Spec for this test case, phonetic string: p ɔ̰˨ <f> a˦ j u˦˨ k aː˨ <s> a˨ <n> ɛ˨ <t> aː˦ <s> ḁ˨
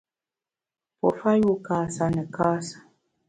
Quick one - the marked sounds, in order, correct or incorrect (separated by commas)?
correct, correct, correct, incorrect, correct